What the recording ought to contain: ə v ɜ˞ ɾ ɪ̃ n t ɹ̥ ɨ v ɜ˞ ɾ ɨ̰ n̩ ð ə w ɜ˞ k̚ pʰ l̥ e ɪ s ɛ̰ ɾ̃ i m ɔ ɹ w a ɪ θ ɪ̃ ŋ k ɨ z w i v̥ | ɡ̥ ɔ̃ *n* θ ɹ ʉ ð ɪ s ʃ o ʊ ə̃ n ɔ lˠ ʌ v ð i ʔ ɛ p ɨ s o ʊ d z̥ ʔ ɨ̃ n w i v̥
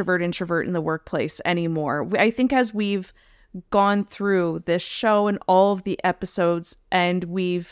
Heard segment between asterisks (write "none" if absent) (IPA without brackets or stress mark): n